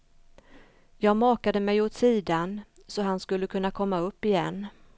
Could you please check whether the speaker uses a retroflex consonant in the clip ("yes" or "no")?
no